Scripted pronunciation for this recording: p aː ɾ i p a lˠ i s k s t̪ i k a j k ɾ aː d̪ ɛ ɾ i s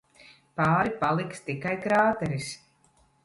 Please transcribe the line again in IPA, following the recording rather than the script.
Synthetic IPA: p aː ɾ i p a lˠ i k s t̪ i k a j k ɾ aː t̪ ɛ ɾ i s